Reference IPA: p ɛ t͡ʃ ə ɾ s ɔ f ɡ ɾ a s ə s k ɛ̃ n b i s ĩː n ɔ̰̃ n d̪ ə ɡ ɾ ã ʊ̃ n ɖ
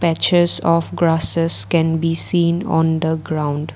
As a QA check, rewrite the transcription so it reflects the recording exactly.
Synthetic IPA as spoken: p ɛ t͡ʃ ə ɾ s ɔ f ɡ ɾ a s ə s k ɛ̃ n b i s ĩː n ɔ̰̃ n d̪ ə ɡ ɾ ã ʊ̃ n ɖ